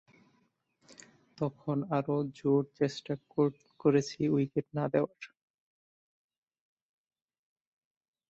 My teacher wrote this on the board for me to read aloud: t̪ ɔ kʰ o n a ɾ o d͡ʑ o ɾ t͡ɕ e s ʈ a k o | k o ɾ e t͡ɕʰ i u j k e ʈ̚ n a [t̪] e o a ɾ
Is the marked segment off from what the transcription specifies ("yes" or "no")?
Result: yes